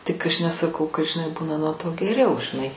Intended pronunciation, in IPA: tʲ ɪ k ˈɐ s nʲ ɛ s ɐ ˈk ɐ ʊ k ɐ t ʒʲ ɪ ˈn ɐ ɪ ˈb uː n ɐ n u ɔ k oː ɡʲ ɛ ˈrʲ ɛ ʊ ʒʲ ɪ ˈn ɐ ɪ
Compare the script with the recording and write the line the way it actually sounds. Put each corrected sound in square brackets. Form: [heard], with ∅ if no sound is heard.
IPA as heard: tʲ ɪ k ˈɐ [ʃ] nʲ ɛ s ɐ ˈk ɐ ʊ k ɐ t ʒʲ ɪ ˈn ɐ ɪ ˈb uː n ɐ n u ɔ [t] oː ɡʲ ɛ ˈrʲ ɛ ʊ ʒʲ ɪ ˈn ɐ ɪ